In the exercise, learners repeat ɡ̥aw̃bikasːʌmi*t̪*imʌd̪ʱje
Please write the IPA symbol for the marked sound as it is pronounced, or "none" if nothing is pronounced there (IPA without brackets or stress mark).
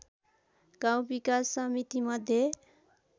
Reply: t̪